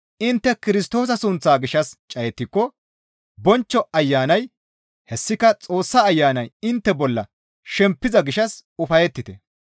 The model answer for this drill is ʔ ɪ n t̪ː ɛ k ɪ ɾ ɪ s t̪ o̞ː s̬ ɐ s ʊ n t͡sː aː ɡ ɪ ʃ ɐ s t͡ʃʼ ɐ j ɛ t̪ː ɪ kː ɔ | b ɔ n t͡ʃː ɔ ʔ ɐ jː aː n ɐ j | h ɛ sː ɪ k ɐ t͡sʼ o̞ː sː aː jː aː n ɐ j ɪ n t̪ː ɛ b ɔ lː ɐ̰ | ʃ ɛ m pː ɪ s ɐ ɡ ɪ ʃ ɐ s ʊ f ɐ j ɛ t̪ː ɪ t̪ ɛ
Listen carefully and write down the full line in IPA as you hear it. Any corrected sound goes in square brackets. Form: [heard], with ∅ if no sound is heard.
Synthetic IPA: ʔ ɪ n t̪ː ɛ k ɪ ɾ ɪ s t̪ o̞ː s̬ ɐ s ʊ n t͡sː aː ɡ ɪ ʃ ɐ s t͡ʃʼ ɐ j ɛ t̪ː ɪ kː ɔ | b ɔ n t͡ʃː ɔ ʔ ɐ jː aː n ɐ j | h ɛ sː ɪ k ɐ t͡sʼ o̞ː sː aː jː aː n ɐ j ɪ n t̪ː ɛ b ɔ lː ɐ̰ | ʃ ɛ m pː ɪ [z] ɐ ɡ ɪ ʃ ɐ s ʊ f ɐ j ɛ t̪ː ɪ t̪ ɛ